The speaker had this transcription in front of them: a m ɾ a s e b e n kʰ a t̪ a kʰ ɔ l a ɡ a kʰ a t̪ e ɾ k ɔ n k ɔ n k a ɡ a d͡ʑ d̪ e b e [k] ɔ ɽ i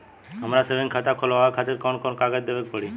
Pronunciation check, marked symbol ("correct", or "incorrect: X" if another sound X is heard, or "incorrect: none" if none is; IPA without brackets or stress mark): incorrect: p